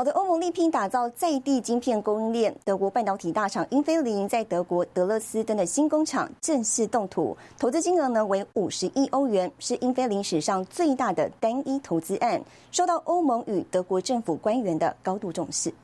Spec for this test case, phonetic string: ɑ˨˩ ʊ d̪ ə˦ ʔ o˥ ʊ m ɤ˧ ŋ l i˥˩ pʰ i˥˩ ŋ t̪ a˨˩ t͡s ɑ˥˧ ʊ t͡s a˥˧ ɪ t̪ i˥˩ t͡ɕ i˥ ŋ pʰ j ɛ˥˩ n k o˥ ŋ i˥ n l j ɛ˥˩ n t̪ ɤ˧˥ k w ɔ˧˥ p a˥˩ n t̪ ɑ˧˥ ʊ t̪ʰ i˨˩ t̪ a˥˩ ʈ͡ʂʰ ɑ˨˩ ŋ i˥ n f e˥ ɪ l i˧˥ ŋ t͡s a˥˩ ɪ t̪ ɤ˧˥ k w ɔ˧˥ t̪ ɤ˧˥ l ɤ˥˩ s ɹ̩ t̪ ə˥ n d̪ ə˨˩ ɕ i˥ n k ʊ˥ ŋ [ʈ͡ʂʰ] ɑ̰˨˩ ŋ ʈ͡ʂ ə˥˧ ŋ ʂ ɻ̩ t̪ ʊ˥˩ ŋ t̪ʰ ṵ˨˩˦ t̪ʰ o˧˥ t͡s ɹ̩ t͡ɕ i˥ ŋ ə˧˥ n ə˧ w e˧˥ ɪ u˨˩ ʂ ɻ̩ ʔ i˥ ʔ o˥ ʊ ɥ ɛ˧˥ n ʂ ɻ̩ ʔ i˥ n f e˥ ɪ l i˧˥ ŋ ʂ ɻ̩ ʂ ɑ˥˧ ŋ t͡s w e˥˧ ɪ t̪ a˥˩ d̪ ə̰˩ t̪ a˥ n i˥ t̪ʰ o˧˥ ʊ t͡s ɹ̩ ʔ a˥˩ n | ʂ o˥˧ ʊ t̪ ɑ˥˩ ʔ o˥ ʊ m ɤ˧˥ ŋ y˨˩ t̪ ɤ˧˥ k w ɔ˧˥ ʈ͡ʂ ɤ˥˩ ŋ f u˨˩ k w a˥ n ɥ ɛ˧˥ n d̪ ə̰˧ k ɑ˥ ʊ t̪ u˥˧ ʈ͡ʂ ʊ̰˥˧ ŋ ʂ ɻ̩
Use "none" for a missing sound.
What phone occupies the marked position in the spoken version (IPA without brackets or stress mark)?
ʈ͡ʂʰ